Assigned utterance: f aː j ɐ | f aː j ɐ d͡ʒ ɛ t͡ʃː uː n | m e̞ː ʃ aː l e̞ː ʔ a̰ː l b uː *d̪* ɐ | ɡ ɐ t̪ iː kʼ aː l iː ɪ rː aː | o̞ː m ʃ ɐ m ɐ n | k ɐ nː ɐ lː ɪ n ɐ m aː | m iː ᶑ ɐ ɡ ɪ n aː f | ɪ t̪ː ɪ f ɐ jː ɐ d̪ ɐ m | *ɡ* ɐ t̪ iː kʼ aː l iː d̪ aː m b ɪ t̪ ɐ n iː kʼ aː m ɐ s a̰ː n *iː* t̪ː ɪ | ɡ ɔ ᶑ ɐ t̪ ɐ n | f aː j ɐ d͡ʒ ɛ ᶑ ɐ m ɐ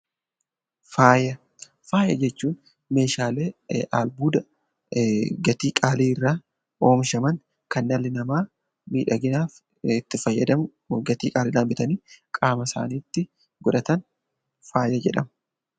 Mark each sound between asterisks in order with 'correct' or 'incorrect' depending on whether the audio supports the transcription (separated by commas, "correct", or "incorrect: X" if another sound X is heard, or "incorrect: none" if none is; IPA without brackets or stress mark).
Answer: correct, correct, correct